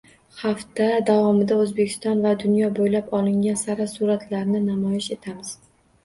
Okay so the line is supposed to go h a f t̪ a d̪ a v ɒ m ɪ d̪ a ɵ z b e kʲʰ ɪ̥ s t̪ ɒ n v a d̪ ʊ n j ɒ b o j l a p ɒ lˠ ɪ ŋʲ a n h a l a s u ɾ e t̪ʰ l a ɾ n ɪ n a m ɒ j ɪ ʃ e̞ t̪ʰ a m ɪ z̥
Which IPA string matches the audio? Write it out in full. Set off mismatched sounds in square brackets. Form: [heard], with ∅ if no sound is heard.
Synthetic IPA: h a f t̪ a d̪ a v ɒ m ɪ d̪ a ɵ z b e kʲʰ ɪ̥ s t̪ ɒ n v a d̪ ʊ n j ɒ b o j l a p ɒ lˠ ɪ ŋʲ a n [s] a [ɾ] a s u ɾ [a] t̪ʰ l a ɾ n ɪ n a m ɒ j ɪ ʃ e̞ t̪ʰ a m ɪ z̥